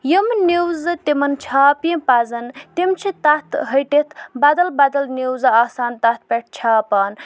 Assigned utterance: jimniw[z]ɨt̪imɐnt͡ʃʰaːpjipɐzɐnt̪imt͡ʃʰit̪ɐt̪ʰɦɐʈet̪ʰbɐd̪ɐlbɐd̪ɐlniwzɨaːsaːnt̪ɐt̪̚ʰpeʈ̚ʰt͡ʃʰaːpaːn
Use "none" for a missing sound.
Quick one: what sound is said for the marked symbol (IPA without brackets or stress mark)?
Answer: z